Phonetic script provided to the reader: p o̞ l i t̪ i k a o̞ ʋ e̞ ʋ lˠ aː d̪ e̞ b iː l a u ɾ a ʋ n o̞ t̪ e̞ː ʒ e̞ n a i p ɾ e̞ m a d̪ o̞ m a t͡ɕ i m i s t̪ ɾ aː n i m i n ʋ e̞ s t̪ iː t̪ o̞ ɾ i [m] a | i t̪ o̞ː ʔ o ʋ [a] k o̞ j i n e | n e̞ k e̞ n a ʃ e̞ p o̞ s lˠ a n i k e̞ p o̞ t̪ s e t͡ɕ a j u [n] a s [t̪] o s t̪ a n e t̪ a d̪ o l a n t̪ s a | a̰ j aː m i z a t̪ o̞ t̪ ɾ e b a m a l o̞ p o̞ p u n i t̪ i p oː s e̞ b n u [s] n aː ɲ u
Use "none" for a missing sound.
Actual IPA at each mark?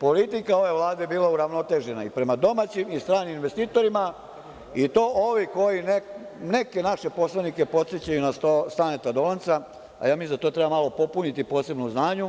m, i, n, t̪, z

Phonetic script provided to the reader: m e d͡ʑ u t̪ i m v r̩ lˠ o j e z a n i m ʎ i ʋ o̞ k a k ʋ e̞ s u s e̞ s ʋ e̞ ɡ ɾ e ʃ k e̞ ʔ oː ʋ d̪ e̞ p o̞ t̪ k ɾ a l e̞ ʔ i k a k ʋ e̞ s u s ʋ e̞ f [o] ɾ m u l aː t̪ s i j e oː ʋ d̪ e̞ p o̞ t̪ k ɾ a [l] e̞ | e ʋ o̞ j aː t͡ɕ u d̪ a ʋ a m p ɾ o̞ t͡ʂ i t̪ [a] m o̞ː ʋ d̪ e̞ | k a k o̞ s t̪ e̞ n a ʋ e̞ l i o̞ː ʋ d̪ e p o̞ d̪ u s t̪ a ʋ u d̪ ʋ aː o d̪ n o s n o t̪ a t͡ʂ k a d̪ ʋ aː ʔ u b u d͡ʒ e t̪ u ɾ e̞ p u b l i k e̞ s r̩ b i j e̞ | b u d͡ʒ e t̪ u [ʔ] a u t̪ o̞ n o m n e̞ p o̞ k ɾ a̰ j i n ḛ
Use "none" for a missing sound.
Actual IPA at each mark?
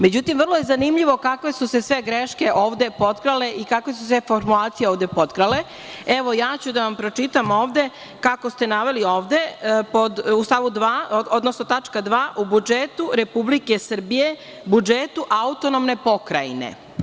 o, l, a, ʔ

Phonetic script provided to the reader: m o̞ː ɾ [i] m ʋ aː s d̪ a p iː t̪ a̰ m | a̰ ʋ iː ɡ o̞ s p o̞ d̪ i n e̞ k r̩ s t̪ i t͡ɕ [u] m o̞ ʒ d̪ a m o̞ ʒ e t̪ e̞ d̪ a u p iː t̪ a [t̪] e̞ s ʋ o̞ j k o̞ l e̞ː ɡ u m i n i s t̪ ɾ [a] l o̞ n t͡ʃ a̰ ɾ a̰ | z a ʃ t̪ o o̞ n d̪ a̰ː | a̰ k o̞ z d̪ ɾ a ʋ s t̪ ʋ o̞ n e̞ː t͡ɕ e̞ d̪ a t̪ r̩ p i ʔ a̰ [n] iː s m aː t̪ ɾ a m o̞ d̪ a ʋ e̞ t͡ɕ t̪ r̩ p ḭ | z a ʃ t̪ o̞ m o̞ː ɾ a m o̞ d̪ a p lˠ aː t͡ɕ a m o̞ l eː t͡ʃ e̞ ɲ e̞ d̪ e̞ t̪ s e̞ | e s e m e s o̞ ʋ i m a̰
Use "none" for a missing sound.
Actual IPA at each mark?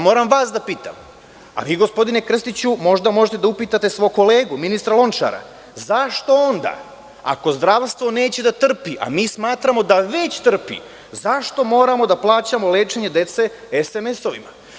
a, u, t̪, a, m

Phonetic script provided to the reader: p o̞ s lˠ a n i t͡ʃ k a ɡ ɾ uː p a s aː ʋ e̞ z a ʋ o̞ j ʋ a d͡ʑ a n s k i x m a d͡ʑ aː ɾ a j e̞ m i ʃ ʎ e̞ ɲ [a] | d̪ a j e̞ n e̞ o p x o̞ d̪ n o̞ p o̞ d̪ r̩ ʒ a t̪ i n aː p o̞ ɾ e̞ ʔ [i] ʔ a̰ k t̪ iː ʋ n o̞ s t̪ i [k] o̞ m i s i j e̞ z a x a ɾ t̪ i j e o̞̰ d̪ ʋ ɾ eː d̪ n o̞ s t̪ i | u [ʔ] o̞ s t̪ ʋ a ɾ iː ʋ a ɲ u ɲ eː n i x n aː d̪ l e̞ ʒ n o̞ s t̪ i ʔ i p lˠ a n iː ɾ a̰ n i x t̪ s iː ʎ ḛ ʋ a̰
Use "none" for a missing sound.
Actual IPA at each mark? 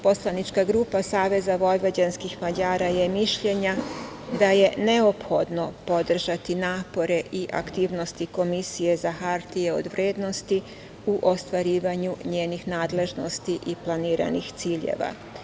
a, i, k, ʔ

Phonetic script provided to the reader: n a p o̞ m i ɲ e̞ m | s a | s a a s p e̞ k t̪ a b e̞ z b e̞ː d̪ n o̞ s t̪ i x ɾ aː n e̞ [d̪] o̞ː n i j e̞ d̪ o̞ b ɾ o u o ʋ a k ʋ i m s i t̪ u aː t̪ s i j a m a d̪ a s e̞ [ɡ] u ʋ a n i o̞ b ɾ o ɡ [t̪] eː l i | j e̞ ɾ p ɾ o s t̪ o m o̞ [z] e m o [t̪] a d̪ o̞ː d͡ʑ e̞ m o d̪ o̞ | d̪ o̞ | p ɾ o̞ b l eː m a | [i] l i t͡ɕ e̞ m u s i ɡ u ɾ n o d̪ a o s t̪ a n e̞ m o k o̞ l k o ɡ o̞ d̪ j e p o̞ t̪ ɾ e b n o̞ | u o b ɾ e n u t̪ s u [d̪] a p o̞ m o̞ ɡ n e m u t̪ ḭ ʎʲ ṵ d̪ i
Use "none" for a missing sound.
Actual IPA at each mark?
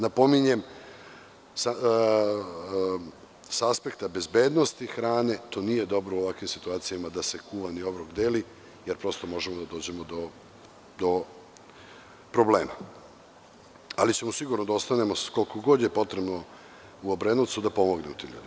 t̪, k, d̪, ʒ, d̪, a, d̪

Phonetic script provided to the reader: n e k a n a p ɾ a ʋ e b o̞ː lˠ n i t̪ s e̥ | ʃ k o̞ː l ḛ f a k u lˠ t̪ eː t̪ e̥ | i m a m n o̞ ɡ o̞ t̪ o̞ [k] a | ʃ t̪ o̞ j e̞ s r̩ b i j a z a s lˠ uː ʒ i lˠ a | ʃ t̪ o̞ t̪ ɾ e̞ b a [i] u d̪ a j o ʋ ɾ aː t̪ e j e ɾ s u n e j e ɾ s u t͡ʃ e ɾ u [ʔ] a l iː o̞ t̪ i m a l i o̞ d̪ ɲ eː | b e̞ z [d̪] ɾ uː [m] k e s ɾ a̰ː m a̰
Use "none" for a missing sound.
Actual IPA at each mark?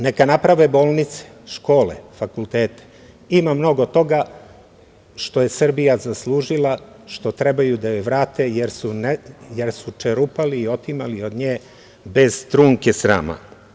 ɡ, j, p, t̪, ŋ

